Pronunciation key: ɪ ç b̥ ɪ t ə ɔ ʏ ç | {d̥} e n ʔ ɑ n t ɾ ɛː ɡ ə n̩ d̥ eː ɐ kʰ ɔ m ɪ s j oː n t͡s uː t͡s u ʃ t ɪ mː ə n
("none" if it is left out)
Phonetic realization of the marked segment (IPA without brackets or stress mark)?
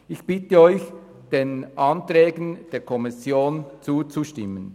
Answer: d̥